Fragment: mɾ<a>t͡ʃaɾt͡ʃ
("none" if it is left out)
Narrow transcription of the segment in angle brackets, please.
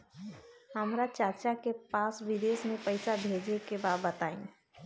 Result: a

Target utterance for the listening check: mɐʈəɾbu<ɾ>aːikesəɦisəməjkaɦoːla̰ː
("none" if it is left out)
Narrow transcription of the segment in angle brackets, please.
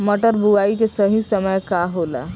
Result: none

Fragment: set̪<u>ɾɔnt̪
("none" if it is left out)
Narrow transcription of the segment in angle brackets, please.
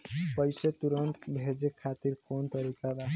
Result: u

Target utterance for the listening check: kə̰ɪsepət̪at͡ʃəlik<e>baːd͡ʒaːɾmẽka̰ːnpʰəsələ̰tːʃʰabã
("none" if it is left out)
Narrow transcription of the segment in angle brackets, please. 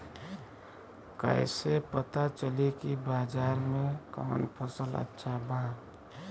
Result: i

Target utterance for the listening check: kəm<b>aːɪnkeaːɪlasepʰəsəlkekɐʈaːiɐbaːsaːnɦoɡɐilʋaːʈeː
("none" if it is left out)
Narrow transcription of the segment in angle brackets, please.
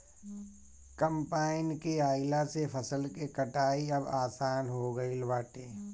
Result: p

